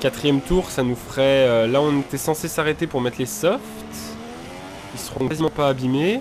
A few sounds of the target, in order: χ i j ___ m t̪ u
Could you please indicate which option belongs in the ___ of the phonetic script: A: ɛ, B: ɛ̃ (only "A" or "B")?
A